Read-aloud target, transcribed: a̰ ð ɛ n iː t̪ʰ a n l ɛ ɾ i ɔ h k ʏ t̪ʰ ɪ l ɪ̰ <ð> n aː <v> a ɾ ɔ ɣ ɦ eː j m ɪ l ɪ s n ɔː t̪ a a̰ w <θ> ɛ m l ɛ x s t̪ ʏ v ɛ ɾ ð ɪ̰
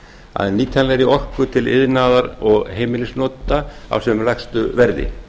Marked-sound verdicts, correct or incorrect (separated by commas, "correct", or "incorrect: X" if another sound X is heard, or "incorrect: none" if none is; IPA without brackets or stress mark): correct, incorrect: ð, incorrect: s